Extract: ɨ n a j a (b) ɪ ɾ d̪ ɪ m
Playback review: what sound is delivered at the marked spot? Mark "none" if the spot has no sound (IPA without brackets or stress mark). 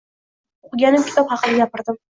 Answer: p